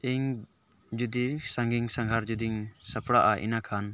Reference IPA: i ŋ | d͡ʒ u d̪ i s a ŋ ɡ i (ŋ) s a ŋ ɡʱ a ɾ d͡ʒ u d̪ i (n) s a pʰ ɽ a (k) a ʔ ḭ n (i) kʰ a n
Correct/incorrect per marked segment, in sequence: correct, incorrect: ŋ, incorrect: ʔ, incorrect: a

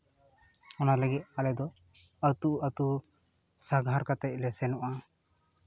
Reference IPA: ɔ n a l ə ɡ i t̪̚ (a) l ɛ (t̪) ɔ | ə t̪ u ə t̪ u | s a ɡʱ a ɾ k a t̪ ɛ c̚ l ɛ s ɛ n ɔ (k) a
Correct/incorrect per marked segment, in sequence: correct, incorrect: d̪, incorrect: ʔ

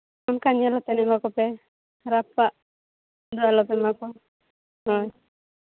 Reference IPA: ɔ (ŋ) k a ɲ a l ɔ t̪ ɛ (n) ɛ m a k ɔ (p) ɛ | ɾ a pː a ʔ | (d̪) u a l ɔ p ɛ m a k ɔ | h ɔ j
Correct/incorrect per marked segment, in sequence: incorrect: n, correct, correct, correct

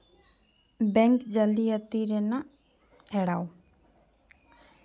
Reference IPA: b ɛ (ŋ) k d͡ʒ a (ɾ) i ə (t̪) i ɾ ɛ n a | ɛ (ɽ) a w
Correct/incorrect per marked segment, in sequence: correct, incorrect: l, correct, correct

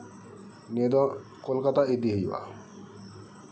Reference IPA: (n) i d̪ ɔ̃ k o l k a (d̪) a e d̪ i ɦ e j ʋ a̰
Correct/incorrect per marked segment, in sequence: correct, incorrect: t̪

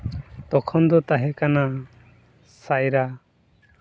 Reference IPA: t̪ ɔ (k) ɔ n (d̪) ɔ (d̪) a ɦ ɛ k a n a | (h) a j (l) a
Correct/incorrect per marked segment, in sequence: incorrect: kʰ, correct, incorrect: t̪, incorrect: s, incorrect: ɾ

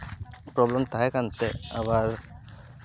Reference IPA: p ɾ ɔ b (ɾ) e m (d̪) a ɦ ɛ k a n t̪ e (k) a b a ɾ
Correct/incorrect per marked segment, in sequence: incorrect: l, incorrect: t̪, incorrect: none

